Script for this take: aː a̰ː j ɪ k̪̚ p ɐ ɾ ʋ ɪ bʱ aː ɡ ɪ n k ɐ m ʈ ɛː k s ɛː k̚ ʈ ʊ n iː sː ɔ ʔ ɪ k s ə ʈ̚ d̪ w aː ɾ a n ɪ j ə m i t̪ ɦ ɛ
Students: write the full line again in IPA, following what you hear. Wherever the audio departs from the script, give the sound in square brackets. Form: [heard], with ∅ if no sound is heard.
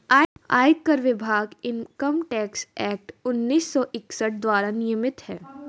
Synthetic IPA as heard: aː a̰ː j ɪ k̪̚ [k] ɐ ɾ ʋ ɪ bʱ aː ɡ ɪ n k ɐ m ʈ ɛː k s ɛː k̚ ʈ ʊ [nː] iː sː ɔ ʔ ɪ k s ə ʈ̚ d̪ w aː ɾ a n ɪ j ə m [ɪ] t̪ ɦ [ɛː]